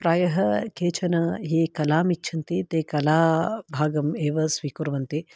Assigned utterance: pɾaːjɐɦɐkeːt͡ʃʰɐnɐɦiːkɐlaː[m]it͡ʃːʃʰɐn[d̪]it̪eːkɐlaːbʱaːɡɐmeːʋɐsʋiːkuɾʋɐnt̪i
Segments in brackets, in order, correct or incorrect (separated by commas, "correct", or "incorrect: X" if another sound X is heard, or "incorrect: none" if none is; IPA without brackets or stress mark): correct, incorrect: t̪